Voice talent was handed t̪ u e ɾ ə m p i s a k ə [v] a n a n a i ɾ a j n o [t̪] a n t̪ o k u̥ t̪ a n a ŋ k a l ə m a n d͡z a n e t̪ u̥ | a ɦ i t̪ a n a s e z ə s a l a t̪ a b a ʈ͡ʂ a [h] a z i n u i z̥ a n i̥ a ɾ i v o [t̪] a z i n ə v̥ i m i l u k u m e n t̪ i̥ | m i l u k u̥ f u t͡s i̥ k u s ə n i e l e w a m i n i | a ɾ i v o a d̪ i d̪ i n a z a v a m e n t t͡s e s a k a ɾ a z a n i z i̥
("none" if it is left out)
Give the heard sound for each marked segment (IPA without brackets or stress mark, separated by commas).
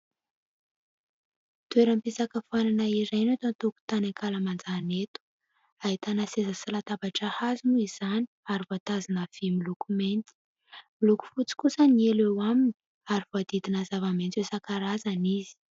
f, t̪, h, t̪